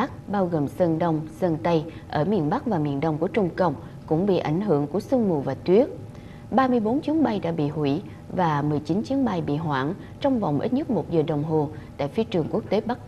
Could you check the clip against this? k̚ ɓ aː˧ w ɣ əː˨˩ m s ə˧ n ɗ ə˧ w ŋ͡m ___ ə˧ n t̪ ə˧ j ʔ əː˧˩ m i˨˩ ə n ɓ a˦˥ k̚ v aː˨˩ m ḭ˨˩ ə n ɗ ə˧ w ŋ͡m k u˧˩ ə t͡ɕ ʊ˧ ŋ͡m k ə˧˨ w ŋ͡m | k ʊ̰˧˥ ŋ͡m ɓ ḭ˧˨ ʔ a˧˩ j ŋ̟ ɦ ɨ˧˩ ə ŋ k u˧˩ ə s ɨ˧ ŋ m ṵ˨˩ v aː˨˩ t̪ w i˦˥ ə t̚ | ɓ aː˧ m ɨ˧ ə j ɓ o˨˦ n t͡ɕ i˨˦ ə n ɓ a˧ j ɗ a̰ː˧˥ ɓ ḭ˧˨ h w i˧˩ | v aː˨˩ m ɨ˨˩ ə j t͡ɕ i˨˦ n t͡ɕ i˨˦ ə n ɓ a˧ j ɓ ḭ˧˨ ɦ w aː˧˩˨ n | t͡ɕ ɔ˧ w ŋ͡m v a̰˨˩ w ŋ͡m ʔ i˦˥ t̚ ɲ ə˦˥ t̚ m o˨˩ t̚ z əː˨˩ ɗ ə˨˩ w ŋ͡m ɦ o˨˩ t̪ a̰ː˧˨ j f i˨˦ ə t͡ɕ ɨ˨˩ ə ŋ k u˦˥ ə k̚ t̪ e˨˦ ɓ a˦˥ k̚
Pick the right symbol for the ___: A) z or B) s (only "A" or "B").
B